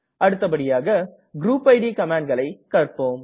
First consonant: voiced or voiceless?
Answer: voiced